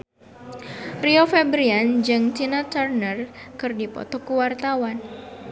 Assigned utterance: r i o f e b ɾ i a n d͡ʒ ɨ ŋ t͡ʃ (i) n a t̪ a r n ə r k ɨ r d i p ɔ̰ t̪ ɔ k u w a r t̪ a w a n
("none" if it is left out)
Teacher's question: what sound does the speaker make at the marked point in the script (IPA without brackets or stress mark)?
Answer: i